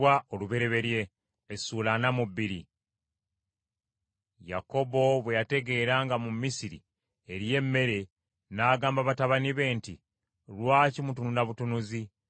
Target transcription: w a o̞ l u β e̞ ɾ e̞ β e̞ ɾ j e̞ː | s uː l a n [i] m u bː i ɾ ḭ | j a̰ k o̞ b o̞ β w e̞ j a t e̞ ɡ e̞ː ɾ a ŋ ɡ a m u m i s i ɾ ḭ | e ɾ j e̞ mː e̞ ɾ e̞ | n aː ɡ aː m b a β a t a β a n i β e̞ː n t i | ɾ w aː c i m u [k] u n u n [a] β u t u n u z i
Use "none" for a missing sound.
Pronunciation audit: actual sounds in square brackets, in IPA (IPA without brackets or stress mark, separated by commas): a, t, a